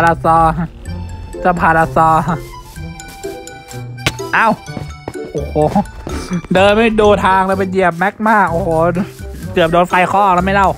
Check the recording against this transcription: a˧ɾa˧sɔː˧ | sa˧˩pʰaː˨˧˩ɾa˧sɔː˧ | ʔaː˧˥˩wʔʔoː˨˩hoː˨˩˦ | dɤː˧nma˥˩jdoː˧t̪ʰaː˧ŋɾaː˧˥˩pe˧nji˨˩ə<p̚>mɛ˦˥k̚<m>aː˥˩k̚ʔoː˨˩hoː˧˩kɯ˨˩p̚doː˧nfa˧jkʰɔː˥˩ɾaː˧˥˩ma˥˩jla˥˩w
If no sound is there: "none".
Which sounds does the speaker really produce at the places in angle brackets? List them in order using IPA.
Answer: p̚, m

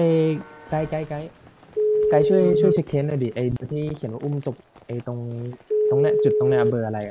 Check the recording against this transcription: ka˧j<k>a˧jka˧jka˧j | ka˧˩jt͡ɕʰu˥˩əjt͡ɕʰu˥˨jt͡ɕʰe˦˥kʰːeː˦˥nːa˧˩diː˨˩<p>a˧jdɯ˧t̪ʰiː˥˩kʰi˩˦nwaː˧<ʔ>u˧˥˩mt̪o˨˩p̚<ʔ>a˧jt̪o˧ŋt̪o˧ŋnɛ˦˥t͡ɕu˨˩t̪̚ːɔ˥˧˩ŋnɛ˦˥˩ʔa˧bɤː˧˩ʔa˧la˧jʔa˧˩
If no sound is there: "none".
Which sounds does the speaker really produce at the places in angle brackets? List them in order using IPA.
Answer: k, ʔ, ʔ, ʔ

